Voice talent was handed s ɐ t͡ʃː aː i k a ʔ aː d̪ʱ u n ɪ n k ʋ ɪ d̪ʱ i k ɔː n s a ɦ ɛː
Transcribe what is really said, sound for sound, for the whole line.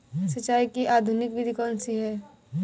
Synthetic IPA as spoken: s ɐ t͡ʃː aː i k i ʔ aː d̪ʱ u n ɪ k ʋ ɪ d̪ʱ i k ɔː n s i ɦ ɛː